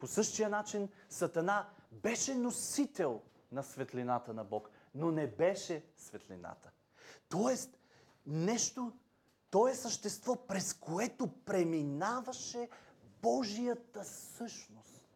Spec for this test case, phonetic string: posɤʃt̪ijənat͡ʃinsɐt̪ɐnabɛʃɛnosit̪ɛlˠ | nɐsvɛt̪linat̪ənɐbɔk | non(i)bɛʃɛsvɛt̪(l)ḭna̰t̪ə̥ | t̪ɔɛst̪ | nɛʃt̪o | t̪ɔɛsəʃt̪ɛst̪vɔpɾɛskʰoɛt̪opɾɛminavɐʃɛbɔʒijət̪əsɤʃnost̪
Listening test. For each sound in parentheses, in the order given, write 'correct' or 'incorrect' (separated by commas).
incorrect, correct